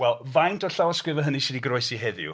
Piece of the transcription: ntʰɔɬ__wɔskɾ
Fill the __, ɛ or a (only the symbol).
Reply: a